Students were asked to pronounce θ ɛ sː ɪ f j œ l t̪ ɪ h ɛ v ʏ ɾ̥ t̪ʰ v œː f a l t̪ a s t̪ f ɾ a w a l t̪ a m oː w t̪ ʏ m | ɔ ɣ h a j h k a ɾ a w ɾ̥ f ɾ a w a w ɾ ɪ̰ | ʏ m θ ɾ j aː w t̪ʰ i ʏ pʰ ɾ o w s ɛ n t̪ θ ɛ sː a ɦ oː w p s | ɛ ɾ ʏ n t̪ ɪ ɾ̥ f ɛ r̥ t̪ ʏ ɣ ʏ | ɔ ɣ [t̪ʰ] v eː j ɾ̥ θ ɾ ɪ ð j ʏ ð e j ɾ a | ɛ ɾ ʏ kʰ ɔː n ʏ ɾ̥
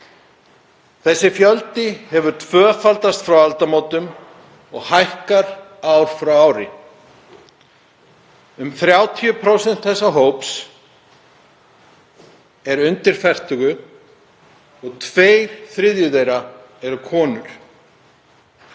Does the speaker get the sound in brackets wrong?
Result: no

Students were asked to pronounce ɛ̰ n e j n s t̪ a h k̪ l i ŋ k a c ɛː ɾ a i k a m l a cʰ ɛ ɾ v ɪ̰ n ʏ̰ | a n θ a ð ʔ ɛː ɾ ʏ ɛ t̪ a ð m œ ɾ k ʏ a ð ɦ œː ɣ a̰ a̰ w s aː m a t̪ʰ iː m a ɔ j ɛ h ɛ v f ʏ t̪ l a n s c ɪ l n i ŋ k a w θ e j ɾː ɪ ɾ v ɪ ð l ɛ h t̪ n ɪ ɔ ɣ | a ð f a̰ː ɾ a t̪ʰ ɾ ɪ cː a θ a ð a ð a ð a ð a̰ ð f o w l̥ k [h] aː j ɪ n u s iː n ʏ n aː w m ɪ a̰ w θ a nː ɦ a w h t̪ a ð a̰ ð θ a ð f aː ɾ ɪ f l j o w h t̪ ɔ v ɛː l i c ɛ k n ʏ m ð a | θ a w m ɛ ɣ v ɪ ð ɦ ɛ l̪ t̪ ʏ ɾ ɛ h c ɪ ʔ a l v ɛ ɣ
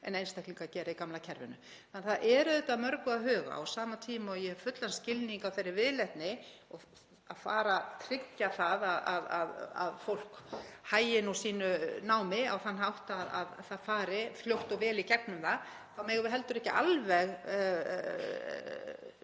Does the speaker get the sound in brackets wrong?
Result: no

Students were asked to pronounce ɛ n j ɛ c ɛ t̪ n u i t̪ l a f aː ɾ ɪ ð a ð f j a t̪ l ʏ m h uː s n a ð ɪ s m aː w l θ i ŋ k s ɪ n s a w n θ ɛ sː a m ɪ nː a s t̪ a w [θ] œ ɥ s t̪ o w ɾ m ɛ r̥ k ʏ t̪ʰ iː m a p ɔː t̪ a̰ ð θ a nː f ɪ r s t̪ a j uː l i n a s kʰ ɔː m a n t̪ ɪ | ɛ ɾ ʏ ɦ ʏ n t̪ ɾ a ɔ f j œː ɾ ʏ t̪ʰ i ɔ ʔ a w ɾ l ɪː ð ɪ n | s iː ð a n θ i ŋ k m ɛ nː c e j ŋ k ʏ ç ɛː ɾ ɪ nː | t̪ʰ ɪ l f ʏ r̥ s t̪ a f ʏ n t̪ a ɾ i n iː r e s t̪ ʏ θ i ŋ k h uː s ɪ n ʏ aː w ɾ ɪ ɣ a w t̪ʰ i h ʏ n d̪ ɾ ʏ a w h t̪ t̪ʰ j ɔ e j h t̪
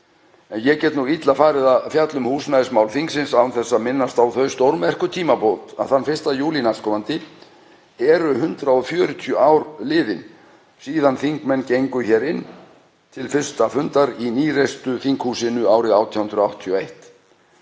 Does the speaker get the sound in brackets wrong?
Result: no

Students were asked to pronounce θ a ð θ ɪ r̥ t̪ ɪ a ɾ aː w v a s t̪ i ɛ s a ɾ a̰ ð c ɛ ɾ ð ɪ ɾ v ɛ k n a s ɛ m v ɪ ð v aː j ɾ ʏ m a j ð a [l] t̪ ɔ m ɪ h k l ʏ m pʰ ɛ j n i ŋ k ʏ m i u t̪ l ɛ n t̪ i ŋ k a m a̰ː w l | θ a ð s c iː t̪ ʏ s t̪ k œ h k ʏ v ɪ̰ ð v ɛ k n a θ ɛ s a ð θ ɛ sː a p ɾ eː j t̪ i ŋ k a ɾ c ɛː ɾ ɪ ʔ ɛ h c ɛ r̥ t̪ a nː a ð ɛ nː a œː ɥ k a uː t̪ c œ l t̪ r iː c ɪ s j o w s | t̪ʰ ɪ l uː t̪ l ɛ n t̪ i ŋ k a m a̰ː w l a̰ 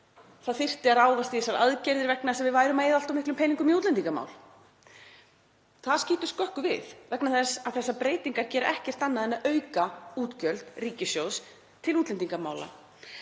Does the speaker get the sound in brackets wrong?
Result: no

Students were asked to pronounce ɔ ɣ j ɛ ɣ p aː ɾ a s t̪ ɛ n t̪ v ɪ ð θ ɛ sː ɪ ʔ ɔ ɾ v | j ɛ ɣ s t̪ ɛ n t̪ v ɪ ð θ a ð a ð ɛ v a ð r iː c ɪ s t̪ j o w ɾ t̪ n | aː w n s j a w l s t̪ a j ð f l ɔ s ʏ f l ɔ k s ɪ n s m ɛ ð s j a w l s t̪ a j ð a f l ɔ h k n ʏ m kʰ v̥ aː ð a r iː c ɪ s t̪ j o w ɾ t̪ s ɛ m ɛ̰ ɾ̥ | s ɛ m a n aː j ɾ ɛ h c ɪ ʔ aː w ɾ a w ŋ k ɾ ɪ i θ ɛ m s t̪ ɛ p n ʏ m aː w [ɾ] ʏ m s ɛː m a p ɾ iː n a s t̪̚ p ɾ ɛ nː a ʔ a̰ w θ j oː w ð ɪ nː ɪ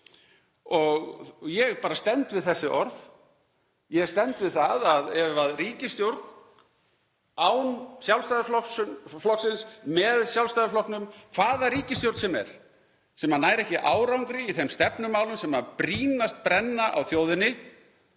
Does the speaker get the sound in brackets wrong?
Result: yes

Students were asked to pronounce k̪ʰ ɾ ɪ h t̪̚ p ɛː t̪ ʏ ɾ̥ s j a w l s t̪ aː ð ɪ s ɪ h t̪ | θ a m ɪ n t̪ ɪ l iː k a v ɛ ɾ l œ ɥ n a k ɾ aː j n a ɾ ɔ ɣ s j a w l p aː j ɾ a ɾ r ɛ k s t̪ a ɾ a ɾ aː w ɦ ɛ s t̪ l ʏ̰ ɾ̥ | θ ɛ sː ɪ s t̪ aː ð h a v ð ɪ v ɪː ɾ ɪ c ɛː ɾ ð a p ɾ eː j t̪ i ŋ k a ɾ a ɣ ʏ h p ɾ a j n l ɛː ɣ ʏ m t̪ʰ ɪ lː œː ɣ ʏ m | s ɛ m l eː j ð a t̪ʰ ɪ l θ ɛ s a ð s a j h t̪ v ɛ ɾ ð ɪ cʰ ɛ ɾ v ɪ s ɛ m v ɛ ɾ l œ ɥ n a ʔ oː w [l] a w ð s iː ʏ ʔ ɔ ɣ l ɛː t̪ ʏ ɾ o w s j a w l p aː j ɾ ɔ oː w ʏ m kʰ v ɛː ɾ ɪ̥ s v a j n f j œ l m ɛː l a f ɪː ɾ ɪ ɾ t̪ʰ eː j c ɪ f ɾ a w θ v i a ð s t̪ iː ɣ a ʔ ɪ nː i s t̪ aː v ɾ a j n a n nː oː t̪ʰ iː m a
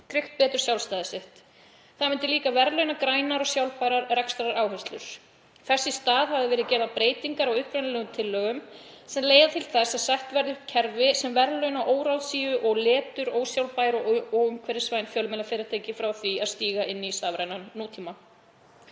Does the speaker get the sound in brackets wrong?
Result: yes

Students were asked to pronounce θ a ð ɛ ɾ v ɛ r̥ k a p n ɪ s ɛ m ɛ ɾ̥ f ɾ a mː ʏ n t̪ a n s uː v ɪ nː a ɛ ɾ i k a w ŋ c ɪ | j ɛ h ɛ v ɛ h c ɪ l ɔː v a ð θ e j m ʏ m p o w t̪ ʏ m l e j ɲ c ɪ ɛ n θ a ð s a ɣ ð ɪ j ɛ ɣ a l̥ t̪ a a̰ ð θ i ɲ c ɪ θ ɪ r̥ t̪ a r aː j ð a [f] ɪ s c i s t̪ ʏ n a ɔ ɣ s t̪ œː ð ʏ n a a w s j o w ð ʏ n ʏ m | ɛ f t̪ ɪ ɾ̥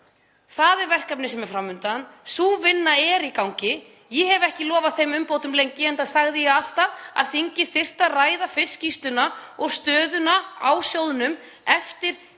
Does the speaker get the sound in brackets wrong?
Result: no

